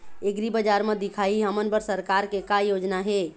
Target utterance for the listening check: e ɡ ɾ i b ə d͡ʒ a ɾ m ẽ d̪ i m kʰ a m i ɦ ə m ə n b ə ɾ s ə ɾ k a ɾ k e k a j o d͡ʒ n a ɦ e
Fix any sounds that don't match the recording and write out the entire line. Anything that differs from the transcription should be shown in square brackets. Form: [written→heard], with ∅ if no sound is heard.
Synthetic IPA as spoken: e ɡ ɾ i b ə d͡ʒ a ɾ m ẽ d̪ i [m→∅] kʰ a [m→∅] i ɦ ə m ə n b ə ɾ s ə ɾ k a ɾ k e k a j o d͡ʒ n a ɦ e